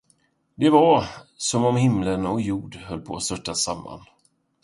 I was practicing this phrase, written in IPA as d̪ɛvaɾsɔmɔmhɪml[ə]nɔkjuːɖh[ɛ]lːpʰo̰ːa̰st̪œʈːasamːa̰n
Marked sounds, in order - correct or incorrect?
correct, incorrect

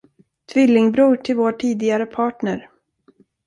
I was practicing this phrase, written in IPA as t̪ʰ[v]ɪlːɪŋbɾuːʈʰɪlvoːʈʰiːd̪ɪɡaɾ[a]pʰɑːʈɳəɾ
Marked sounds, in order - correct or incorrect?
correct, incorrect

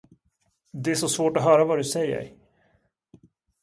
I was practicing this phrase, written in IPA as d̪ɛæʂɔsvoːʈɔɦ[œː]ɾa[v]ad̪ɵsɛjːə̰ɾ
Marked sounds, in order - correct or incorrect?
correct, correct

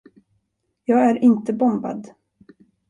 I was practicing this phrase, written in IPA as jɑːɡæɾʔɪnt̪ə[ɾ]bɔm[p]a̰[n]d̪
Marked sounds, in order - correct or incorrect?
incorrect, incorrect, incorrect

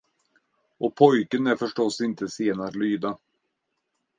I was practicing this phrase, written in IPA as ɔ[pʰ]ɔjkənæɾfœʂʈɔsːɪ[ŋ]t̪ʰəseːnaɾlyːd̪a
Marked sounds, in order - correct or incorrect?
correct, incorrect

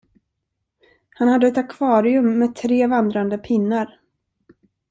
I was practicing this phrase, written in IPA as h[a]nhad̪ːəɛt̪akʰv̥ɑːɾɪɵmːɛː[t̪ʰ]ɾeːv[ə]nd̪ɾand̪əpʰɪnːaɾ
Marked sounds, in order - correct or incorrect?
correct, correct, incorrect

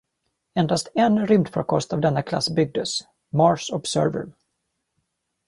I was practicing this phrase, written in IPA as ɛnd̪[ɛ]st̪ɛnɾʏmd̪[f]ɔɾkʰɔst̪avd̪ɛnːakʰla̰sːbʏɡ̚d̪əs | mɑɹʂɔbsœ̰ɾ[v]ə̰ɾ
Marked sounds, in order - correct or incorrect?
incorrect, correct, correct

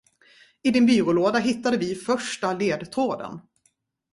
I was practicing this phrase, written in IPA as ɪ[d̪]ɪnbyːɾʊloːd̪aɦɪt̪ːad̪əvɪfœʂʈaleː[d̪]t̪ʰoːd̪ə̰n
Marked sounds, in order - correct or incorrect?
correct, correct

